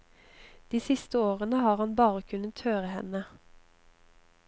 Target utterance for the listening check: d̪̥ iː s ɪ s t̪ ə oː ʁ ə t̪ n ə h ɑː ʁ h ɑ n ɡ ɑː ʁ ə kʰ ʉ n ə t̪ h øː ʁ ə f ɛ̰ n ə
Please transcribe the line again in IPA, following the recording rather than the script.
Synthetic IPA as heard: d̪̥ iː s ɪ s t̪ ə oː ʁ ə n ə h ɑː ʁ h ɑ n b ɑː ʁ ə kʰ ʉ n ə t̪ h øː ʁ ə h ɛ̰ n ə